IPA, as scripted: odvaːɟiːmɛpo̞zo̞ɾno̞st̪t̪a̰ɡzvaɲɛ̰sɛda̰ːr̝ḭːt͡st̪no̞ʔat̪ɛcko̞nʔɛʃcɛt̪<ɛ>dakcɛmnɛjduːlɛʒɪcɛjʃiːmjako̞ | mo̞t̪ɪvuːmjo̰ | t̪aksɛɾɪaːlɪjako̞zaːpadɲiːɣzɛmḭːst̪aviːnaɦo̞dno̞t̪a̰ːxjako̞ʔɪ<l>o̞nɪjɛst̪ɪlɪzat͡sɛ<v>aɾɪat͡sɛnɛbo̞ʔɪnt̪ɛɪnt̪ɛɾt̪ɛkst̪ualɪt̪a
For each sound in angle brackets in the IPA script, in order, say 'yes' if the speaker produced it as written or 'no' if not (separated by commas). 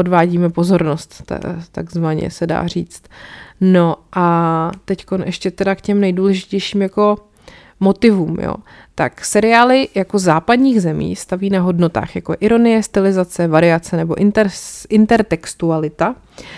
yes, no, yes